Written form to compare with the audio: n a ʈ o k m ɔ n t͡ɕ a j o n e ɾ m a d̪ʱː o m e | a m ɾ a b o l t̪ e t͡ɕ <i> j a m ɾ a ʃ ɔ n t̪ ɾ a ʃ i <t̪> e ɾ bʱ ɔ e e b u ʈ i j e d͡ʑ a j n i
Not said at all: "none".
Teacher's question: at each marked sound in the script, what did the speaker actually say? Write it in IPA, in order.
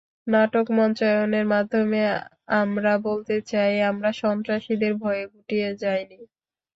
a, d̪

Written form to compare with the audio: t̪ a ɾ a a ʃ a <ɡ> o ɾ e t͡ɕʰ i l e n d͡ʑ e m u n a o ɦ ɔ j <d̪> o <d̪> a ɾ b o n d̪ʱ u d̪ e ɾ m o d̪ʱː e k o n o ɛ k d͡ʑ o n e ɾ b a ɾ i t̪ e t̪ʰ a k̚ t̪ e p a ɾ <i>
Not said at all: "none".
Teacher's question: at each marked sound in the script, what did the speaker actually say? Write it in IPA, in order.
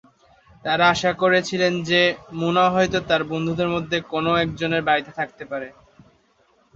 k, t̪, t̪, e

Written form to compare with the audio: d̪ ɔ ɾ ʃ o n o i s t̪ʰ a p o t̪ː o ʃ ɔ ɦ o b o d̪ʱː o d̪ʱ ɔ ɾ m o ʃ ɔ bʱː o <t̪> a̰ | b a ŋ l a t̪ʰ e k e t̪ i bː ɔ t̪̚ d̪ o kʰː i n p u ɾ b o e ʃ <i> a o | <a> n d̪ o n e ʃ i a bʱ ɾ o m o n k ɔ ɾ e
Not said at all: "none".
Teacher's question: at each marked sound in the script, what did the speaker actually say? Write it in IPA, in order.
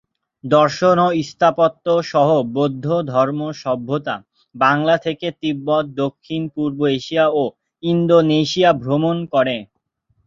t̪, i, i

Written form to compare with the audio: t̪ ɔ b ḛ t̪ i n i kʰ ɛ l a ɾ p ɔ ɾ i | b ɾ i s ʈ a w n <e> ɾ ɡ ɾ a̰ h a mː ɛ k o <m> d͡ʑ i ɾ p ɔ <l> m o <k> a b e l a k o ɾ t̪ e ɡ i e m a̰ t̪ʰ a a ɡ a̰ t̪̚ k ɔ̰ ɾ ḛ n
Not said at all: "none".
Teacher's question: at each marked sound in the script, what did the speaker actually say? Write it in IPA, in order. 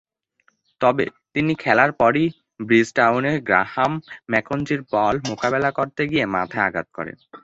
e, n, l, k

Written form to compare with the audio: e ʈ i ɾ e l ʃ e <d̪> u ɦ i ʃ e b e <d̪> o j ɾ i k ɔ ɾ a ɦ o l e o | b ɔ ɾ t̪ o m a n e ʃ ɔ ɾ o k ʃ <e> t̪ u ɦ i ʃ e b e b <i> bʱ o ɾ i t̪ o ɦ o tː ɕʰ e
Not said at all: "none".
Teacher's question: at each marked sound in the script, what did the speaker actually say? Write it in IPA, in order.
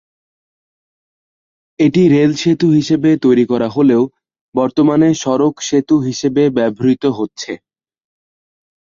t̪, t̪, e, ɛ

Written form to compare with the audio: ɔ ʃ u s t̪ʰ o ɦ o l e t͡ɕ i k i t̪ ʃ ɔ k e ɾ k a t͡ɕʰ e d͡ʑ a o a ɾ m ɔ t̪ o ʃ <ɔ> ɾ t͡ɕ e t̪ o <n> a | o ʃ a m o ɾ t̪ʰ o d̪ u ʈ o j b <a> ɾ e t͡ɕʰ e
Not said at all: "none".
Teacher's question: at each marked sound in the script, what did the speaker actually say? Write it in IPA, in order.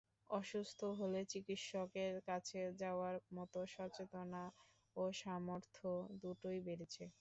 ɔ, n, e

